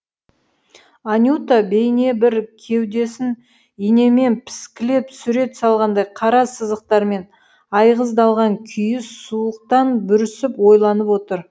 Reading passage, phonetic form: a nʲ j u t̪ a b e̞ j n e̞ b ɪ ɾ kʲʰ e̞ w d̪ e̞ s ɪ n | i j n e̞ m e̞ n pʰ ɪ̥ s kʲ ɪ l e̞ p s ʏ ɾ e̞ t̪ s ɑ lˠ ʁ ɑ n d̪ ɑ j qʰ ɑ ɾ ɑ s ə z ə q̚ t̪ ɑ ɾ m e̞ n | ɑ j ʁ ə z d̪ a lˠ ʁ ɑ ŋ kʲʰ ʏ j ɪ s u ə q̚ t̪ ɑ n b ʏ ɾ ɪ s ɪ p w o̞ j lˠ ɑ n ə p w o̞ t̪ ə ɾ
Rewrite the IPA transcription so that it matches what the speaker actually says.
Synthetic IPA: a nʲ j u t̪ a b e̞ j n e̞ b ɪ ɾ kʲʰ e̞ w d̪ e̞ s ɪ n | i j n e̞ m e̞ n pʰ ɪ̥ s kʲ ɪ l e̞ p s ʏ ɾ e̞ t̪ s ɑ lˠ ʁ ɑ n d̪ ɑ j qʰ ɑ ɾ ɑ s ə z ə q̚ t̪ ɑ ɾ m e̞ n | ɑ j ʁ ə z d̪ ɑ lˠ ʁ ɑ ŋ kʲʰ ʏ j ɪ s u ə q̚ t̪ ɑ n b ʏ ɾ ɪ s ɪ p w o̞ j lˠ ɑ n ə p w o̞ t̪ ə ɾ